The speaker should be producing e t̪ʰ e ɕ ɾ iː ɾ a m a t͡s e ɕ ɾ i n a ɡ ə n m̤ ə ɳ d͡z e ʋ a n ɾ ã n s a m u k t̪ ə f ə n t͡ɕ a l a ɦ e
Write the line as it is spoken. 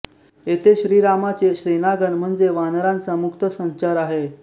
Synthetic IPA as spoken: e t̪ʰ e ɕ ɾ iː ɾ a m a t͡s e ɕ ɾ i n a ɡ ə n m̤ ə ɳ d͡z e ʋ a n ɾ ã n t͡s a m u k t̪ ə s ə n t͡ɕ a ɾ a ɦ e

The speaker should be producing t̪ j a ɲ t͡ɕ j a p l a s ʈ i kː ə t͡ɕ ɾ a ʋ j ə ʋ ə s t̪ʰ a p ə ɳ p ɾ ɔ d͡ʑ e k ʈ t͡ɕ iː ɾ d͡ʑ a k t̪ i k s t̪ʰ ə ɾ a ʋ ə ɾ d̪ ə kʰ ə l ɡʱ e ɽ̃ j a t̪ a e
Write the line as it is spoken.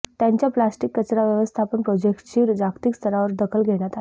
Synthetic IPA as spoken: t̪ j a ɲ t͡ɕ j a p l a s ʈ i kː ə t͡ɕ ɾ a ʋ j ə ʋ ə s t̪ʰ a p ə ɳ p ɾ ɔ d͡ʑ e k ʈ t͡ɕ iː ɾ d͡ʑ a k t̪ i k s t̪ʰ ə ɾ a ʋ ə ɾ d̪ ə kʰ ə l ɡʱ e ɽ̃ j a t̪ a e

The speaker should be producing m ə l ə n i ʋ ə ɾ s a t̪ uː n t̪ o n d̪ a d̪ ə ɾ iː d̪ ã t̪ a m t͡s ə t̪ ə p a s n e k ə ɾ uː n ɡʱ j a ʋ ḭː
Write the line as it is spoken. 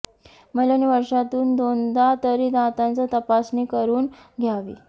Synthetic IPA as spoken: m ə l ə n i ʋ ə ɾ ʂ a t̪ uː n d̪ o n d̪ a t̪ ə ɾ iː d̪ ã t̪ a n t͡s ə t̪ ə p a s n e k ə ɾ uː n ɡʱ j a ʋ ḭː

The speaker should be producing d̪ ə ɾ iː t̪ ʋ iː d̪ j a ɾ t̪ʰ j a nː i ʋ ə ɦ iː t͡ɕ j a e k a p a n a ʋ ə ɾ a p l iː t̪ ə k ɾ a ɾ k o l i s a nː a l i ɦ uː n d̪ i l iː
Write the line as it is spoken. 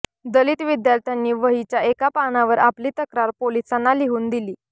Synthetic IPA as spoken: d̪ ə l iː t̪ ʋ i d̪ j a ɾ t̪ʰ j a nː iː ʋ ə ɦ i t͡ɕ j a e k a p a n a ʋ ə ɾ a p l iː t̪ ə k ɾ a ɾ p o l i s a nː a l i ɦ uː n d̪ i l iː

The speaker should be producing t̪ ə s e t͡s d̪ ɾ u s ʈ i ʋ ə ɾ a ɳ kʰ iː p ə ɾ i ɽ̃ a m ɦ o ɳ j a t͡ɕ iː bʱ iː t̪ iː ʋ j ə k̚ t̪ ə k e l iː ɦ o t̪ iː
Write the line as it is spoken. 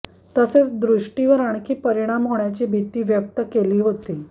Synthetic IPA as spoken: t̪ ə s e t͡s d̪ ɾ u ʂ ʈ i ʋ ə ɾ a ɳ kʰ iː p ə ɾ i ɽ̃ a m ɦ o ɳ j a t͡ɕ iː bʱ i t̪ iː ʋ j ə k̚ t̪ ə k e l iː ɦ o t̪ iː

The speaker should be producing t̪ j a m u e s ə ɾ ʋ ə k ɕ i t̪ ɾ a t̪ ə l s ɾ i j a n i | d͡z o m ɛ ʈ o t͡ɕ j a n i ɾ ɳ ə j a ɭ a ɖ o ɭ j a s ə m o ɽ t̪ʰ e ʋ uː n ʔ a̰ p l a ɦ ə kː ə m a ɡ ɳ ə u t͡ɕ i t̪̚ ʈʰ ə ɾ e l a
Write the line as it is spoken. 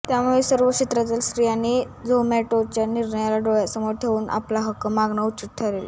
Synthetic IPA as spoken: t̪ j a m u e s ə ɾ ʋ ə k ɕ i t̪ ɾ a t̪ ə l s ɾ i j a n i | d͡z o m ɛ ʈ o t͡ɕ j a n i ɾ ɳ ə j a l a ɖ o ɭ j a s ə m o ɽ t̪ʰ e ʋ uː n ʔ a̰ p l a ɦ ə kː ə m a ɡ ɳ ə u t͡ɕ i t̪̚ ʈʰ ə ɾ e l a

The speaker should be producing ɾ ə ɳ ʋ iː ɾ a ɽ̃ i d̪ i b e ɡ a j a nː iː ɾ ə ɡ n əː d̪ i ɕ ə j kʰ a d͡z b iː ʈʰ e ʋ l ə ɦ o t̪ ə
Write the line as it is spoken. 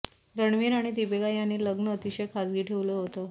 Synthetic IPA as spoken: ɾ ə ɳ ʋ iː ɾ a ɽ̃ i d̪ i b e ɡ a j a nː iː l ə ɡ n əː t̪ i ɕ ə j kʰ a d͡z ɡ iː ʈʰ e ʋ l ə ɦ o t̪ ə

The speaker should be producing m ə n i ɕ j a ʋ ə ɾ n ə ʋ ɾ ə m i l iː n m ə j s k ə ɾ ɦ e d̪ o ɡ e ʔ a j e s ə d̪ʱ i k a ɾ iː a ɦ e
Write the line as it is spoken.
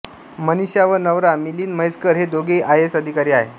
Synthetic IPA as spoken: m ə n i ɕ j a ʋ ə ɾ n ə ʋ ɾ a m i l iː n m ə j s k ə ɾ ɦ e d̪ o ɡ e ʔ a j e s ə d̪ʱ i k a ɾ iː a ɦ e

